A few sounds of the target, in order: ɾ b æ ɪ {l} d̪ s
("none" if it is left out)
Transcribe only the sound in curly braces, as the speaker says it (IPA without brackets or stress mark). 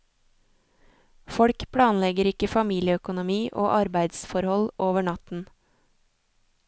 none